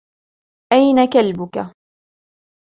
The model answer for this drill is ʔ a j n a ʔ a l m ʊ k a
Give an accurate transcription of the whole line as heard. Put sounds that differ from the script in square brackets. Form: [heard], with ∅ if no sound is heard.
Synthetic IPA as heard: ʔ a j n a [k] a l [b] ʊ k a